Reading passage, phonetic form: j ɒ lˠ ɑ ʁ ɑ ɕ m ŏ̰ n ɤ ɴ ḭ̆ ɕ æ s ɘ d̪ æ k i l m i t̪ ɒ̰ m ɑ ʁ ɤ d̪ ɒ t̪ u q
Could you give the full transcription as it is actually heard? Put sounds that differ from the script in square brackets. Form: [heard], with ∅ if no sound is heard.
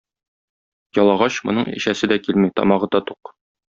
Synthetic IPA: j ɒ lˠ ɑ ʁ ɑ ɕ m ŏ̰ n ɤ ɴ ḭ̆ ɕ æ s ɘ d̪ æ k i l m i t̪ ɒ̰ m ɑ ʁ ɤ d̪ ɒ t̪ u q